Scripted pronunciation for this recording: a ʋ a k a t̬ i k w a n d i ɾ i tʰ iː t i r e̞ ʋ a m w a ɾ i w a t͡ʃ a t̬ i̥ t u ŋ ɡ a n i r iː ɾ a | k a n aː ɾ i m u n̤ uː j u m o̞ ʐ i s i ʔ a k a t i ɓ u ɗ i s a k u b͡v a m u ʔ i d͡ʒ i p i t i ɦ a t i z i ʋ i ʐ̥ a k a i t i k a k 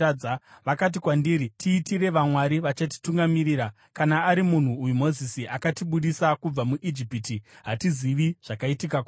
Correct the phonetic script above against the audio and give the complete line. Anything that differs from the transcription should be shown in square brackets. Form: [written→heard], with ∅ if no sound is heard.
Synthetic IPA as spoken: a ʋ a k a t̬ i k w a n d i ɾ i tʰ iː t i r e̞ ʋ a m w a ɾ i [w→ʋ] a t͡ʃ a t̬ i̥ t u ŋ ɡ a [n→m] i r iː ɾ a | k a n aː ɾ i m u n̤ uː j u m o̞ [ʐ→z] i s i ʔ a k a t i ɓ u ɗ i s a k u b͡v a m u ʔ i d͡ʒ i p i t i ɦ a t i z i ʋ i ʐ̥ a k a i t i k a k